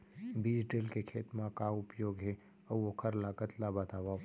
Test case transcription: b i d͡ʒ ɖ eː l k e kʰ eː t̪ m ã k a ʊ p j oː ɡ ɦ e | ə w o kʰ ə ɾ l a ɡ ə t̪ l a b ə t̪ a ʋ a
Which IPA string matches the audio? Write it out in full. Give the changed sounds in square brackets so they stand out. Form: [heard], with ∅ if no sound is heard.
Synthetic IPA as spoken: b i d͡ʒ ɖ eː l k e kʰ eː t̪ m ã k a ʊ p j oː ɡ ɦ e | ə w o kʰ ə ɾ l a ɡ ə t̪ l a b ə t̪ a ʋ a